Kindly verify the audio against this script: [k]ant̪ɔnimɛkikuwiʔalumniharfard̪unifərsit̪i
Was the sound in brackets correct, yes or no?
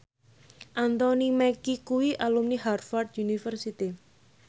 no